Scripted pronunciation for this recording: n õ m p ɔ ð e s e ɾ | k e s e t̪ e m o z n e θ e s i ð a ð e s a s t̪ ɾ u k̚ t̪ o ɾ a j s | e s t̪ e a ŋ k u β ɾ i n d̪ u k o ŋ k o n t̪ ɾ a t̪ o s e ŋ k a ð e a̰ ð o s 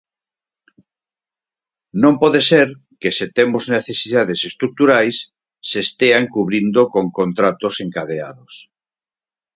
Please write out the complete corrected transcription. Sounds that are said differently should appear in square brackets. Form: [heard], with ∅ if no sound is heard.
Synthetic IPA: n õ m p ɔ ð e s e ɾ | k e s e t̪ e m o z n e θ e s i ð a ð e s [e] s t̪ ɾ u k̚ t̪ [u] ɾ a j [sː] | e s t̪ e a ŋ k u β ɾ i n d̪ [o] k o ŋ k o n t̪ ɾ a t̪ o s e ŋ k a ð e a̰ ð o s